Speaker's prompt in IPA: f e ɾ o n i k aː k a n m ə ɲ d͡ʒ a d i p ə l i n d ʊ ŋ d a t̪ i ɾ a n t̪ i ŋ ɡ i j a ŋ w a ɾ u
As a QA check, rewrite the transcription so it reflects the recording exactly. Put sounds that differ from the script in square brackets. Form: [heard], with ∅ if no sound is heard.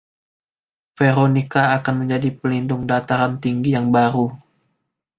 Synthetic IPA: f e ɾ o n i k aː k a n m ə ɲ d͡ʒ a d i p ə l i n d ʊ ŋ d a t̪ [a] ɾ a n t̪ i ŋ ɡ i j a ŋ [b] a ɾ u

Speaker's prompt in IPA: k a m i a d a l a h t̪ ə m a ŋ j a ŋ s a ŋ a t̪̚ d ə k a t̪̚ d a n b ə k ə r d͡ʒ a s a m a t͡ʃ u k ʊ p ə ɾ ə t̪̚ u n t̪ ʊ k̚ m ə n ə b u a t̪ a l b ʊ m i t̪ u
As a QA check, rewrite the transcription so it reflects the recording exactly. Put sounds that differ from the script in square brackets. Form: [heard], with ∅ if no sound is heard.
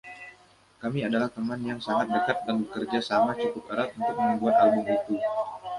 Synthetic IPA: k a m i a d a l a h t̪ ə m a [n] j a ŋ s a ŋ a t̪̚ d ə k a t̪̚ d a n b ə k ə r d͡ʒ a s a m a t͡ʃ u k ʊ p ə ɾ [a] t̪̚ u n t̪ ʊ k̚ m ə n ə b u a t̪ a l b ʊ m i t̪ u

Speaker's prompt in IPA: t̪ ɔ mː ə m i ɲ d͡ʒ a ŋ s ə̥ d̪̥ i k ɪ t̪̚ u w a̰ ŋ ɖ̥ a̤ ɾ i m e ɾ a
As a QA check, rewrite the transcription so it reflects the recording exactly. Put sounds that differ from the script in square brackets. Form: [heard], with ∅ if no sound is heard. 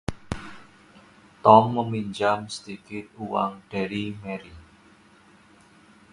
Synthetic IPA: t̪ ɔ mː ə m i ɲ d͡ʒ a [m] s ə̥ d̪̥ i k ɪ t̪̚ u w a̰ ŋ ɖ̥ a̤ ɾ i m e ɾ [i]

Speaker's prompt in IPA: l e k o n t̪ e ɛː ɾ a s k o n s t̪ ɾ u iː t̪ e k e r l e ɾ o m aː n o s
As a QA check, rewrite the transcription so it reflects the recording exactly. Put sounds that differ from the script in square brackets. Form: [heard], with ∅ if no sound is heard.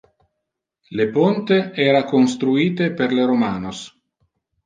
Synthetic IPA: l e [p] o n t̪ e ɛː ɾ a [∅] k o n s t̪ ɾ u iː t̪ e [p] e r l e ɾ o m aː n o s

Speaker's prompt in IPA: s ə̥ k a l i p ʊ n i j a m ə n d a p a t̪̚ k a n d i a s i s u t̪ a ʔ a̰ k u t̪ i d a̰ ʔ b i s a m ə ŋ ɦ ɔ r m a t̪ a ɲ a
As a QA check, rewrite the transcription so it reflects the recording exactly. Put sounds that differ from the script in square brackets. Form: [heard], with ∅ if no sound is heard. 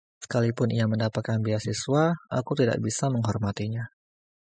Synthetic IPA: s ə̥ k a l i p ʊ n i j a m ə n d a p a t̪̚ k a n [b] i a s i s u [∅] a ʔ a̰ k u t̪ i d a̰ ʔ b i s a m ə ŋ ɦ ɔ r m a t̪ [i] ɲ a

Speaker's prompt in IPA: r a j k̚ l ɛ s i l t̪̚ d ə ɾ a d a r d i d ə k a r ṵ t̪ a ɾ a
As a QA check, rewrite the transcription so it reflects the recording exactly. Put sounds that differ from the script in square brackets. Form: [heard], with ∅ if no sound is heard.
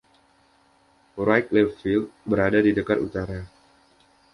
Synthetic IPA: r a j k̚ l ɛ [f] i l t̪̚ [b] ə ɾ a d a [∅] d i d ə k a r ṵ t̪ a ɾ a

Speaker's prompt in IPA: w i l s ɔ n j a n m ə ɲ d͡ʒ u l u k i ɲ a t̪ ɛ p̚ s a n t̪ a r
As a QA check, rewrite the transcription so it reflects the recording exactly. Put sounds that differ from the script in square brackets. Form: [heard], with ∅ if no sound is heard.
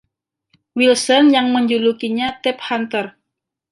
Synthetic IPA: w i l s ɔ n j a [ŋ] m ə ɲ d͡ʒ u l u k i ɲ a t̪ ɛ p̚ [h] a n t̪ [ə] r

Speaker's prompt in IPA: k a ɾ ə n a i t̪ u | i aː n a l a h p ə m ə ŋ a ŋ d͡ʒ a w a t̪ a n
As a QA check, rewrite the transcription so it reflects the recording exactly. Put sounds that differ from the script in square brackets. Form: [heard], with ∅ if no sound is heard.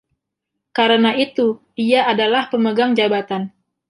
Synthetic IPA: k a ɾ ə n a i t̪ u | i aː [d] a l a h p ə m ə [ɡ] a ŋ d͡ʒ a [b] a t̪ a n

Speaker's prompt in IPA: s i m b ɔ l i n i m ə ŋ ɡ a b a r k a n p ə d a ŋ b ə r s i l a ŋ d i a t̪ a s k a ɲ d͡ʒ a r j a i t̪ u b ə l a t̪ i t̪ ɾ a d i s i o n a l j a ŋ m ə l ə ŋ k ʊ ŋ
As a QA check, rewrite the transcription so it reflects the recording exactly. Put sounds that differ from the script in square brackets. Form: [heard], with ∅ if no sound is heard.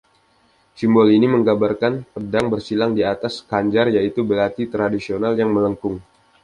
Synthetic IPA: s i m b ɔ l i n i m ə ŋ ɡ a b a r k a n p ə d a ŋ b ə r s i l a ŋ d i a t̪ a s k a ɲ d͡ʒ a r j a i t̪ u b ə l a t̪ i t̪ ɾ a d i s i o n a l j a ŋ m ə l ə ŋ k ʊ ŋ

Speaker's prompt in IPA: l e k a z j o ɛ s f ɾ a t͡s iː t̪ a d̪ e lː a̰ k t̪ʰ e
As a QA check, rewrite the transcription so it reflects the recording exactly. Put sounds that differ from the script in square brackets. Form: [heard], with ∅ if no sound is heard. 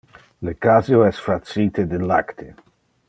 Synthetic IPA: l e k a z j o ɛ s f ɾ a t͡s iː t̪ [e] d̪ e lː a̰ k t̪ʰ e

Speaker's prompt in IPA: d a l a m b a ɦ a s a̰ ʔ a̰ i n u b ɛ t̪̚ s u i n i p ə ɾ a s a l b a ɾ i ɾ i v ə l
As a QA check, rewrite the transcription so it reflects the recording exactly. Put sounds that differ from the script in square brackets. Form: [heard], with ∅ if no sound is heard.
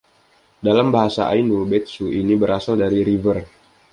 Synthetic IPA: d a l a m b a ɦ a s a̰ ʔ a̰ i n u b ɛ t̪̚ s u i n i [b] ə ɾ a s a l [d] a ɾ i ɾ i v ə [r]

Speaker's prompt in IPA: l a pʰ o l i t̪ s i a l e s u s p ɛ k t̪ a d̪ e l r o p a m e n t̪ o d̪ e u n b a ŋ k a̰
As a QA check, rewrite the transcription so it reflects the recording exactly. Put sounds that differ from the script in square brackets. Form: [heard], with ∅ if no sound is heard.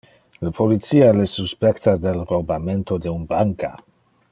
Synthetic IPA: l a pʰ o l i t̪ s i a l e s u s p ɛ k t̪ a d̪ e l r o [b] a m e n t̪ o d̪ e u n b a ŋ k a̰

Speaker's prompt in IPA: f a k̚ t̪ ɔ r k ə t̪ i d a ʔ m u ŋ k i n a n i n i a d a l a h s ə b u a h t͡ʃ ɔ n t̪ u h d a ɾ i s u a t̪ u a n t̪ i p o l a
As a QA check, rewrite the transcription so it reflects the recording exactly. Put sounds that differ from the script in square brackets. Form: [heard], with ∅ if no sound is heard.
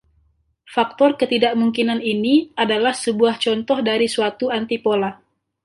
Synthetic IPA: f a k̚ t̪ ɔ r k ə t̪ i d a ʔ m u ŋ k i n a n i n i a d a l a h s ə b u a h t͡ʃ ɔ n t̪ [ɔ] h d a ɾ i s u a t̪ u a n t̪ i p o l a

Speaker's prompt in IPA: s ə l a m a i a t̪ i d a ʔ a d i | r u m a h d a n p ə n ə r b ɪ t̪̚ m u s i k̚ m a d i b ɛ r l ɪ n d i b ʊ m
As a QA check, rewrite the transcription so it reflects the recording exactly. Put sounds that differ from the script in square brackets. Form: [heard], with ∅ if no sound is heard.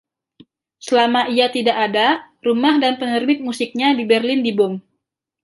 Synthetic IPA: s ə l a m a i a t̪ i d a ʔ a d [a] | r u m a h d a n p ə n ə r b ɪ t̪̚ m u s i k̚ [ɲ] a d i b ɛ r l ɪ n d i b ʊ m

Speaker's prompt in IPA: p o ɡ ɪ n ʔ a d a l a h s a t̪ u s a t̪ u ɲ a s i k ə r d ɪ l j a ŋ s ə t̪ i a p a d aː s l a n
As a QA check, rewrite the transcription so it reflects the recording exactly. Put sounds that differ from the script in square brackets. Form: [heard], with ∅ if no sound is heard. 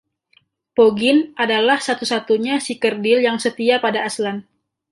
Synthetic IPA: p o ɡ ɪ n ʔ a d a l a h s a t̪ u s a t̪ u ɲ a s i k ə r d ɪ l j a ŋ s ə t̪ i a p a d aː s l a n

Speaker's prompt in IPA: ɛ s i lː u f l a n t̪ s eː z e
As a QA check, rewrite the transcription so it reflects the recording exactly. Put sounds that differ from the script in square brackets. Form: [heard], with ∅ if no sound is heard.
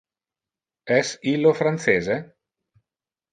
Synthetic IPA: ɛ s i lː [o] f [ɾ] a n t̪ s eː z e

